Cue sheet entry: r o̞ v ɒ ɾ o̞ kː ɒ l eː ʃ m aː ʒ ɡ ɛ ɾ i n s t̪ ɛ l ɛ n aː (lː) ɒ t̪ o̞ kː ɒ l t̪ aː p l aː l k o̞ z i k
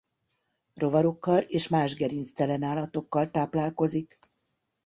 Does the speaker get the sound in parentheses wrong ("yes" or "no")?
yes